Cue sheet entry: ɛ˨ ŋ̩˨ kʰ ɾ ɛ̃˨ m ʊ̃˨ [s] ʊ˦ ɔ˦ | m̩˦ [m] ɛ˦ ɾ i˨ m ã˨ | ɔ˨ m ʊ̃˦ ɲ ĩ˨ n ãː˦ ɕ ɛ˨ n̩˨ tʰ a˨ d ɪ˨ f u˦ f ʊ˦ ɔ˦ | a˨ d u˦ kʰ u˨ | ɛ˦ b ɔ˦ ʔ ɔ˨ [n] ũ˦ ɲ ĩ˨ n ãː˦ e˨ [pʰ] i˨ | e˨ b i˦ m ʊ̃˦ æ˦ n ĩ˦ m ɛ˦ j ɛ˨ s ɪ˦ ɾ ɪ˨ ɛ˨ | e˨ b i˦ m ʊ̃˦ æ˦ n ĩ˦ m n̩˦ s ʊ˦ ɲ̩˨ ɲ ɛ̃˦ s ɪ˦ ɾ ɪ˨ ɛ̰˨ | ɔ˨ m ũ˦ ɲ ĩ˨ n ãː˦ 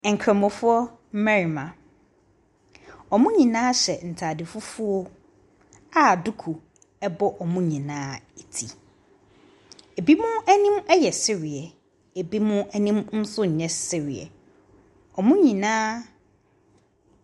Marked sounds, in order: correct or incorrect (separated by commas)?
incorrect, correct, incorrect, incorrect